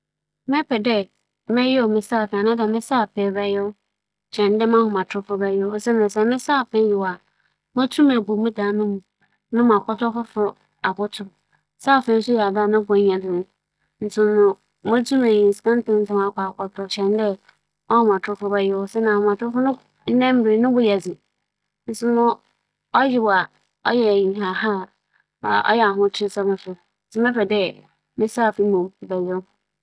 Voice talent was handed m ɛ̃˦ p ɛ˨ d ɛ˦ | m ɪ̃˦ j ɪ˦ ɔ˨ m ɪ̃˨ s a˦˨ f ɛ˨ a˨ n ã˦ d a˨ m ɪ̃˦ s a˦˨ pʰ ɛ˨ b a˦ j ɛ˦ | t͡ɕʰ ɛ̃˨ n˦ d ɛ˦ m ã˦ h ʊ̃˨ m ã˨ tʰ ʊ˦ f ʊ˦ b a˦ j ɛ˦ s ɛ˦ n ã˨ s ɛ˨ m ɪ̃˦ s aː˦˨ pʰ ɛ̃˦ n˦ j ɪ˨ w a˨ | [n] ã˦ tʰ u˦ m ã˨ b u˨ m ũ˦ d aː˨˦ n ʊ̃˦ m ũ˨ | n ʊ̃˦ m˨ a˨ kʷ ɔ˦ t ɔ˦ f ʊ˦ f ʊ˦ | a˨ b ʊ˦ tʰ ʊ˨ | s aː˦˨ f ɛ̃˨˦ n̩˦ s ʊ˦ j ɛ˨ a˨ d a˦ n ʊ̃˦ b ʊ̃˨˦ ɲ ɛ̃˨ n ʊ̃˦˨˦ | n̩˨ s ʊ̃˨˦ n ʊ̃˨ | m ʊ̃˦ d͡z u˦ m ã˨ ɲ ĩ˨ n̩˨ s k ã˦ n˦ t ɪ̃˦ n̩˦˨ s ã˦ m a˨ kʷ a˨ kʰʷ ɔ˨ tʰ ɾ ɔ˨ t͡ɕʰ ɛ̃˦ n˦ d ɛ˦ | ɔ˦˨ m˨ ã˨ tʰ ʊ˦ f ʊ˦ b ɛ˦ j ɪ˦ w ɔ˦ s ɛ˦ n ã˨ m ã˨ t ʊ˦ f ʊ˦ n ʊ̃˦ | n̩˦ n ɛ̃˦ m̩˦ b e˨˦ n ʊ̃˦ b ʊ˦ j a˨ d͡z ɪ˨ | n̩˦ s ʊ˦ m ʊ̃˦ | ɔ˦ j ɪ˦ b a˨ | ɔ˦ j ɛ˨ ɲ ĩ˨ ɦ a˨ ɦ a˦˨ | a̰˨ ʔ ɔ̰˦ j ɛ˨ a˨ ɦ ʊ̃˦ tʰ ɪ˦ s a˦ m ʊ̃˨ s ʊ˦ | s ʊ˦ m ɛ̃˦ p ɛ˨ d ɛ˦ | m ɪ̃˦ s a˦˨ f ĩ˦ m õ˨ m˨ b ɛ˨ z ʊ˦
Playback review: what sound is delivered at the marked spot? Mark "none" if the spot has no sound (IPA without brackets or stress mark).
m